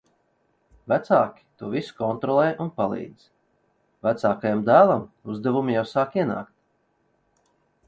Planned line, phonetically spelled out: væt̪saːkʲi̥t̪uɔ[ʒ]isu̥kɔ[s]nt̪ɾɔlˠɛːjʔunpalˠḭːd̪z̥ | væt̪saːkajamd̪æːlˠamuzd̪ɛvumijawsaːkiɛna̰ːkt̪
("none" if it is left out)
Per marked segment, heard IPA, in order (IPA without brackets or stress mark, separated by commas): v, none